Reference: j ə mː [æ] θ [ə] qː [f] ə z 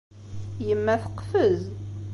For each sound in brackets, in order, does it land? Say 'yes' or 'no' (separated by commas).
yes, yes, yes